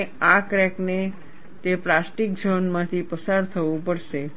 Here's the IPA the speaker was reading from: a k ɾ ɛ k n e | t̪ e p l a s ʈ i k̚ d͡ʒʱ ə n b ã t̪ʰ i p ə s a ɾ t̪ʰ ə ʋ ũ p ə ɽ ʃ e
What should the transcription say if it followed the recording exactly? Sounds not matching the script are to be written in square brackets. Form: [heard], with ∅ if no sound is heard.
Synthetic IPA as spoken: a k ɾ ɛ k n e | t̪ e p l a s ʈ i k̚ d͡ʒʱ ə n [m] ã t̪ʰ i p ə s a ɾ t̪ʰ ə ʋ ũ p ə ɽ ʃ e